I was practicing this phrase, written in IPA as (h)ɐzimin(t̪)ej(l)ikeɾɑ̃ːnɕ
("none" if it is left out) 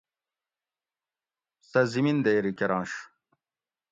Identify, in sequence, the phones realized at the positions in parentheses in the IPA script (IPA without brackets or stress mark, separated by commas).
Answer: s, d̪, ɾ